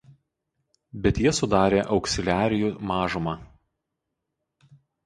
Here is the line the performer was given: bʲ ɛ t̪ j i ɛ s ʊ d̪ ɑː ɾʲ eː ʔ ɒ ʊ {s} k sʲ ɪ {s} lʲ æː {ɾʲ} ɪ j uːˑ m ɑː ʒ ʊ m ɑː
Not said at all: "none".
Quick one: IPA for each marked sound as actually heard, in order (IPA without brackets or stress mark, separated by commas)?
none, none, ɾʲ